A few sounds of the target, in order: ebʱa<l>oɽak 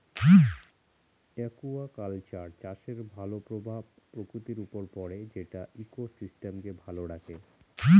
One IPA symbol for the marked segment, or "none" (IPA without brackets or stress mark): l